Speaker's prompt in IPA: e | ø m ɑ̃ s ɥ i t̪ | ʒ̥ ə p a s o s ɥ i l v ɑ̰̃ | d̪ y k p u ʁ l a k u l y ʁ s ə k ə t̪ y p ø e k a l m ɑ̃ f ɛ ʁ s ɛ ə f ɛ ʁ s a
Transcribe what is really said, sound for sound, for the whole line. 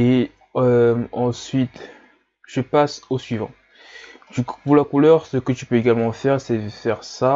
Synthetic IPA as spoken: e | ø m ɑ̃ s ɥ i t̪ | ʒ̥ ə p a s o s ɥ i v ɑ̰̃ | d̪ y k p u ʁ l a k u l œ ʁ s ə k ə t̪ y p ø e ɡ a l m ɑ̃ f ɛ ʁ s ɛ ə f ɛ ʁ s a